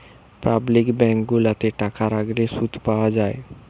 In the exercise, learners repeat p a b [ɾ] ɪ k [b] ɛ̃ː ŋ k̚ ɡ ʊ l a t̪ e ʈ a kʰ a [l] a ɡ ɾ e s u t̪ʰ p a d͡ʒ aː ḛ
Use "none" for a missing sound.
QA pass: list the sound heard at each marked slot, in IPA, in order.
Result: l, b, ɾ

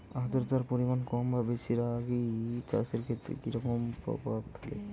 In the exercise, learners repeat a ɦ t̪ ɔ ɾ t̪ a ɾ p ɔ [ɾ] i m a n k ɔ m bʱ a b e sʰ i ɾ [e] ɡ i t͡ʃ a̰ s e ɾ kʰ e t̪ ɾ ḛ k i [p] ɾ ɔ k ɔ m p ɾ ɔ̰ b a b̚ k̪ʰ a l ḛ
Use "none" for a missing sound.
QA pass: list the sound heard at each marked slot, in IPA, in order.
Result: ɾ, a, none

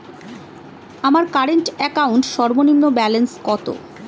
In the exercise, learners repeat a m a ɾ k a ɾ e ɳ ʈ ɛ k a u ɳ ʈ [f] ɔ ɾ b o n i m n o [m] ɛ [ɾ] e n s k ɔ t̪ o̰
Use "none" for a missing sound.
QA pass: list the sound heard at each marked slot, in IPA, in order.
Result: ʃ, b, l

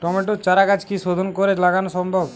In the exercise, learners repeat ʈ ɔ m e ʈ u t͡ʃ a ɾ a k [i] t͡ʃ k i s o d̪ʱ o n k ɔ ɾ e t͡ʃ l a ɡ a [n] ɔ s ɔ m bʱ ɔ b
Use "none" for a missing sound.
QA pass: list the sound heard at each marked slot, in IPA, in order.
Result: a, n

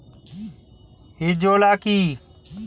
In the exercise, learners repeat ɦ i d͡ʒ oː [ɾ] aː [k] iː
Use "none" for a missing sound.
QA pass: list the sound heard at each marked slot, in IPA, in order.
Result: l, k

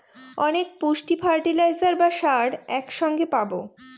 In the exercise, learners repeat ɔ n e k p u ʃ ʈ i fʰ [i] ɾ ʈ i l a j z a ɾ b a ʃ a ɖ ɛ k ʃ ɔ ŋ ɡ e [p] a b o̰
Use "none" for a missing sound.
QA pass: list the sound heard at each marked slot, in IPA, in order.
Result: a, p

